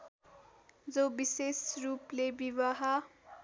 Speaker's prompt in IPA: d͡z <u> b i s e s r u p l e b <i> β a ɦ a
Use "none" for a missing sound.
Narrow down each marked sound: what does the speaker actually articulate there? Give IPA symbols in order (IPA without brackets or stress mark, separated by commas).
o, i